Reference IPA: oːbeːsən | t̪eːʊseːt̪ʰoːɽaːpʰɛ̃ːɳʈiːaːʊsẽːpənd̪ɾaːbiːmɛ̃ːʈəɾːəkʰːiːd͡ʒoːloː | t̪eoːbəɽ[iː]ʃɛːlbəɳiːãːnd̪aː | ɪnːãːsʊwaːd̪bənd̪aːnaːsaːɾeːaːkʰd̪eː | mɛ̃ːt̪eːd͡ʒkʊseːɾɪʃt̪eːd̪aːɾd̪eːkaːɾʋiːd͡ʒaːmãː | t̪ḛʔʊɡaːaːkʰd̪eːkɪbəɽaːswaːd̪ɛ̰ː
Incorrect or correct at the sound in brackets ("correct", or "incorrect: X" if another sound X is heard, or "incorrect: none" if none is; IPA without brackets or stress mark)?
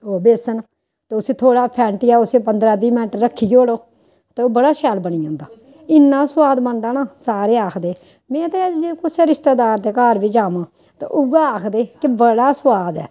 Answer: incorrect: aː